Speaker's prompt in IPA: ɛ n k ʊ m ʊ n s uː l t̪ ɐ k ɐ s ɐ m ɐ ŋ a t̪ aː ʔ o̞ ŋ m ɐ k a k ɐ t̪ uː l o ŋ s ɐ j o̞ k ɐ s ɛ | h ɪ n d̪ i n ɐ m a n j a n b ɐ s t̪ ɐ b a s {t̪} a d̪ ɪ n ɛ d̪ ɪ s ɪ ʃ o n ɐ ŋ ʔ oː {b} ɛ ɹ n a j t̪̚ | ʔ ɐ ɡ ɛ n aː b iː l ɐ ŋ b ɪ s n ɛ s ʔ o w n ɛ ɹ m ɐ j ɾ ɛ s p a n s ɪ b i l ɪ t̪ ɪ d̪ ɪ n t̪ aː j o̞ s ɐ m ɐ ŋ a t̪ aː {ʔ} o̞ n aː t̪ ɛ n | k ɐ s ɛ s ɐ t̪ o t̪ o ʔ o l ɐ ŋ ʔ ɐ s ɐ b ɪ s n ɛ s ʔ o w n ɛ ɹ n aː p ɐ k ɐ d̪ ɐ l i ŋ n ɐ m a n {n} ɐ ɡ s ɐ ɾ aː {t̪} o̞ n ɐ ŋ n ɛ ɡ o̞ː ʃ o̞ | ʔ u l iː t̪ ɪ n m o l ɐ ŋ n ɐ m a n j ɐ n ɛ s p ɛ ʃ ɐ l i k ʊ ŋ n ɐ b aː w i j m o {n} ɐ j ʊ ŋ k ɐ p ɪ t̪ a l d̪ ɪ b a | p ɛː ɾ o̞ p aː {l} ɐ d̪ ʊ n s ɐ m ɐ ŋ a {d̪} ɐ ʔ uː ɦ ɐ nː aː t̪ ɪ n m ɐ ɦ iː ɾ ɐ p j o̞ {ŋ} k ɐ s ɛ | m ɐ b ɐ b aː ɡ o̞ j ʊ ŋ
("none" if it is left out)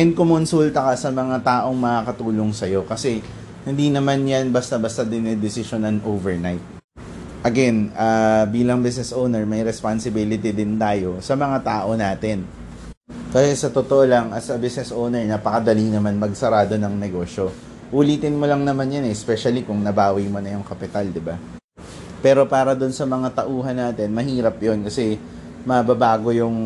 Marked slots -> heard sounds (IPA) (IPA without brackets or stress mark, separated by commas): t̪, v, ʔ, m, d̪, n, ɾ, t̪, n